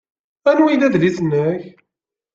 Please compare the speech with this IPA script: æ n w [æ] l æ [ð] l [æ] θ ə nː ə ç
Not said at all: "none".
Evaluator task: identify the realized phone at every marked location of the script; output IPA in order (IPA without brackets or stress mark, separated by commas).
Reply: i, ð, i